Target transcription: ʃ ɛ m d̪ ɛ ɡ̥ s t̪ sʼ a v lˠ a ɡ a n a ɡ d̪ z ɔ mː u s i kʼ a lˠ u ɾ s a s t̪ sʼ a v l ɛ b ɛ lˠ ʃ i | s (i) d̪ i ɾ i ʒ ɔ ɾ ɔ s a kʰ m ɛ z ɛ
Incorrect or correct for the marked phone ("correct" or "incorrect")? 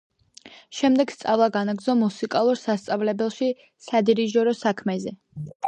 incorrect